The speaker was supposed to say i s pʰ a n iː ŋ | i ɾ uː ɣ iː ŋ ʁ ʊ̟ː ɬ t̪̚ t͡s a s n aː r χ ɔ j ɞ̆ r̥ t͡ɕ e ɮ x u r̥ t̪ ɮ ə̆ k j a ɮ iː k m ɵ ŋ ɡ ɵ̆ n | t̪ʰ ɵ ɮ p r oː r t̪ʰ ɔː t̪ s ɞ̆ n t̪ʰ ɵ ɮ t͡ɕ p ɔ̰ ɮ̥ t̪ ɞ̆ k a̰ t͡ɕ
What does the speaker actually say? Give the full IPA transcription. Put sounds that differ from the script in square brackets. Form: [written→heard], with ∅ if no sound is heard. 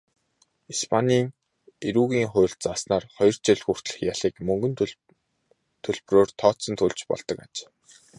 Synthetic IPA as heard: i s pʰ a n iː ŋ | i ɾ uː ɣ iː ŋ [ʁ→χ] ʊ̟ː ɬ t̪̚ t͡s a s n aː r χ ɔ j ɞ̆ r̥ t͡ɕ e ɮ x u r̥ t̪ ɮ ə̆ [k→x] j a ɮ iː k m ɵ ŋ ɡ ɵ̆ n | t̪ʰ ɵ ɮ p r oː r t̪ʰ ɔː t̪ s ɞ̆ n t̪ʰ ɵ ɮ t͡ɕ p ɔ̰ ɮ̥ t̪ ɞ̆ k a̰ t͡ɕ